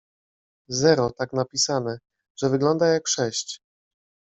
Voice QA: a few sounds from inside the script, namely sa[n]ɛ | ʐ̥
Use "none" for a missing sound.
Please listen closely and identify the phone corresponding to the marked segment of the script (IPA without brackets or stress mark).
n